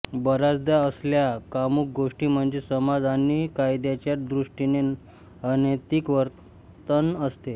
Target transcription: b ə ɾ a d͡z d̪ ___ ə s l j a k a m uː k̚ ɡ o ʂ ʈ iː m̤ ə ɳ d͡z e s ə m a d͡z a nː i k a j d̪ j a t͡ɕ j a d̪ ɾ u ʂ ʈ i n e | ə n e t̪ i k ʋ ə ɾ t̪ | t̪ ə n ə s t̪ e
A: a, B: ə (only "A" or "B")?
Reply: A